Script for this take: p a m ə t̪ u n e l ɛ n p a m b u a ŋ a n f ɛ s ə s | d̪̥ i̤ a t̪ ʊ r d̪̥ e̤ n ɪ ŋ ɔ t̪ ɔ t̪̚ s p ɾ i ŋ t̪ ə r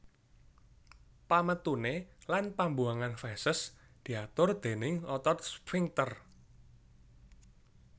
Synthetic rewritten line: p a m ə t̪ u n e l a n p a m b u a ŋ a n f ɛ s ə s | d̪̥ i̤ a t̪ ʊ r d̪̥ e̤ n ɪ ŋ ɔ t̪ ɔ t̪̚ s p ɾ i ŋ t̪ ə r